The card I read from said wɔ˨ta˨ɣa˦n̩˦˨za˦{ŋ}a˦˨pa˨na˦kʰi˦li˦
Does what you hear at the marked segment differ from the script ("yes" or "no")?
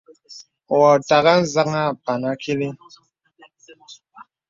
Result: no